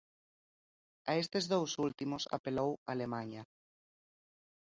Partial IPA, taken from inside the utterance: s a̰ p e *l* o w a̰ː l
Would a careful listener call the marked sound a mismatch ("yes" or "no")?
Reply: no